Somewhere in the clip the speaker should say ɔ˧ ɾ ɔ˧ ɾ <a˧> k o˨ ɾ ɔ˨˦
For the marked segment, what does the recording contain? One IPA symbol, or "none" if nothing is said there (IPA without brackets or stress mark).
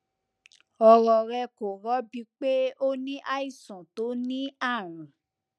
ɛ˧